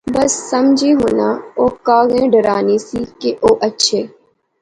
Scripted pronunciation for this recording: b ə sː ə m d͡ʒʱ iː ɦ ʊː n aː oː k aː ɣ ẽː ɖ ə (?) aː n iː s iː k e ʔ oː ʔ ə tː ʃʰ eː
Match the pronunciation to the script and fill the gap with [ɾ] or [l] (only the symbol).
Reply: ɾ